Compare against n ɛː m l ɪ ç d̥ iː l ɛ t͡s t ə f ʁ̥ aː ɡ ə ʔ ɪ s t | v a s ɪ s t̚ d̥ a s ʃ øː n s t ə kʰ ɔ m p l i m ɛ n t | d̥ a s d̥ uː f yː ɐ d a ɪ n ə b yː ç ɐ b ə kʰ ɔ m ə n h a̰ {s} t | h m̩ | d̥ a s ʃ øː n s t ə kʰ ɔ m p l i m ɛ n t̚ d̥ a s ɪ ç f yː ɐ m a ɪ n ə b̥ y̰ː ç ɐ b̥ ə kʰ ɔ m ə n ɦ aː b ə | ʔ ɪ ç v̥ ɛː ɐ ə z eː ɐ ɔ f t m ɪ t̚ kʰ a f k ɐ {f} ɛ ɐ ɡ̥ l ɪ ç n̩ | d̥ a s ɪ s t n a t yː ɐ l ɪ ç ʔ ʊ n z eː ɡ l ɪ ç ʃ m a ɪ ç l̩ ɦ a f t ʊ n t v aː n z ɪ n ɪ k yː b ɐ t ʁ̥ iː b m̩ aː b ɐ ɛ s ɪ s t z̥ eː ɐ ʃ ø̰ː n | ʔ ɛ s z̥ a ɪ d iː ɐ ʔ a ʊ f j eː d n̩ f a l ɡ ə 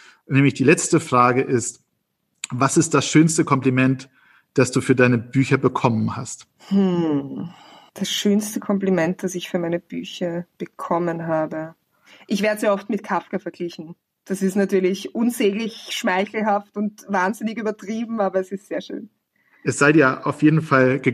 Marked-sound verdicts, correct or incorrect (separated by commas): correct, correct